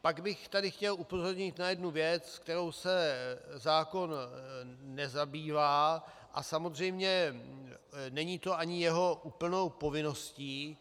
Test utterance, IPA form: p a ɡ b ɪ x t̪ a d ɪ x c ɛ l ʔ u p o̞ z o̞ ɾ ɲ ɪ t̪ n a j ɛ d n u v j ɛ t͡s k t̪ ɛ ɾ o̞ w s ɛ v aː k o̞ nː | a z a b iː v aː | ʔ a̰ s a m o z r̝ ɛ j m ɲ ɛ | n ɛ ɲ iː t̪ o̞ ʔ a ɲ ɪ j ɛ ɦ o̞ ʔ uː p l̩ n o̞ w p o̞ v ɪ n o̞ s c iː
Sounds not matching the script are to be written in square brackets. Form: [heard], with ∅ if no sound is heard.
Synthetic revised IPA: p a ɡ b ɪ x t̪ a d ɪ x c ɛ l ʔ u p o̞ z o̞ ɾ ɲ ɪ t̪ n a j ɛ d n u v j ɛ t͡s k t̪ ɛ ɾ o̞ w s ɛ [z] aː k o̞ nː | [ɛ] z a b iː v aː | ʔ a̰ s a m o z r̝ ɛ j m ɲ ɛ | n ɛ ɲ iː t̪ o̞ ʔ a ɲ ɪ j ɛ ɦ o̞ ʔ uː p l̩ n o̞ w p o̞ v ɪ n o̞ s c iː

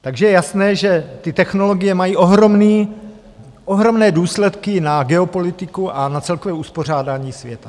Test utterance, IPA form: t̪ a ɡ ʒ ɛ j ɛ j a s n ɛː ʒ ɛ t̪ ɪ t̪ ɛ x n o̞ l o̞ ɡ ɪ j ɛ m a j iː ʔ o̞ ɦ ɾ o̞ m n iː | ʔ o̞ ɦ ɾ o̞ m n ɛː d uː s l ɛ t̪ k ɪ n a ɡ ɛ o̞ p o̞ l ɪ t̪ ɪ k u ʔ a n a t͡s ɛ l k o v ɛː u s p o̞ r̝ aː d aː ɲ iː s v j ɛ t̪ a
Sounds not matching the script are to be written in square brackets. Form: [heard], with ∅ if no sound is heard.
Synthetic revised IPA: t̪ a ɡ ʒ ɛ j ɛ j a s n ɛː ʒ ɛ t̪ ɪ t̪ ɛ x n o̞ l o̞ ɡ ɪ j ɛ m a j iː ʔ o̞ ɦ ɾ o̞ m n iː | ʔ o̞ ɦ ɾ o̞ m n ɛː d uː s l ɛ t̪ k ɪ n a ɡ ɛ o̞ p o̞ l ɪ t̪ ɪ k u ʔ a n a t͡s ɛ l k o v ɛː u s p o̞ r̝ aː d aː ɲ iː s v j ɛ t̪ a

